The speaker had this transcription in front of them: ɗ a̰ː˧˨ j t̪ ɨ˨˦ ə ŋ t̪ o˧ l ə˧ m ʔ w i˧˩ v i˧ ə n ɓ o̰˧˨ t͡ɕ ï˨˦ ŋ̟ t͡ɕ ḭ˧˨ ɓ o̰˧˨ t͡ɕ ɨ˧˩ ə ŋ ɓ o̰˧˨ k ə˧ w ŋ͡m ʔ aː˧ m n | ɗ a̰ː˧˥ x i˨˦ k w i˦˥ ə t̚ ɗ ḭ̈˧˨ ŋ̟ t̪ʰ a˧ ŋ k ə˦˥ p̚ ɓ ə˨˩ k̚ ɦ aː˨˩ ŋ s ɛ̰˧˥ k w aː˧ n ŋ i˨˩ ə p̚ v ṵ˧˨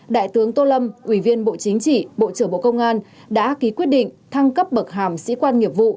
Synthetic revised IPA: ɗ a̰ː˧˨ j t̪ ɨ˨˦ ə ŋ t̪ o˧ l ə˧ m ʔ w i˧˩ v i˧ ə n ɓ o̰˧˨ t͡ɕ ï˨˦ ŋ̟ t͡ɕ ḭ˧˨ ɓ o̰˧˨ t͡ɕ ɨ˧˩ ə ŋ ɓ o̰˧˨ k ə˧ w ŋ͡m ʔ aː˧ n | ɗ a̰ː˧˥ k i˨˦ k w i˦˥ ə t̚ ɗ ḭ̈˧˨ ŋ̟ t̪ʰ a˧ ŋ k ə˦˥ p̚ ɓ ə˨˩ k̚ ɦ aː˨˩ m s ḭ˧˥ k w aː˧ n ŋ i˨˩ ə p̚ v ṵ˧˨